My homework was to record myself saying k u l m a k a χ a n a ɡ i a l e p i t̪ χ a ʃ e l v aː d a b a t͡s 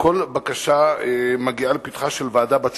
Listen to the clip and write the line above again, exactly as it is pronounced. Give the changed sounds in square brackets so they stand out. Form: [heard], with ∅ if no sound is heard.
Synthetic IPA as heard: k [o] l [b] a k a [ʃ] a [m] a ɡ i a l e p i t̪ χ a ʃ e l v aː d a b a t͡s